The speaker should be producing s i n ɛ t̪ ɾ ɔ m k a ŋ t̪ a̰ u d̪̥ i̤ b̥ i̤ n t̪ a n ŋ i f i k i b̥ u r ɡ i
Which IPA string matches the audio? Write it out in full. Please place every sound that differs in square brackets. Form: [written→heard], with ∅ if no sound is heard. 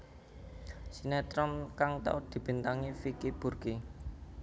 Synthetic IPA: s i n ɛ t̪ ɾ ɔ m k a ŋ t̪ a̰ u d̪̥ i̤ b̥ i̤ n t̪ a [n→∅] ŋ i f i k i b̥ u r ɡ i